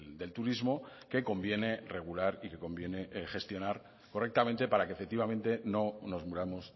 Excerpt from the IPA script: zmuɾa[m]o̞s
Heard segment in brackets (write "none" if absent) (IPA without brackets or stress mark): m